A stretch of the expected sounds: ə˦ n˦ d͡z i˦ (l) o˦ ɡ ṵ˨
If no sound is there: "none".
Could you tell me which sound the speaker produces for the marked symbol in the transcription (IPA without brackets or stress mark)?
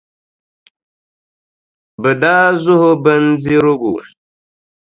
ɾ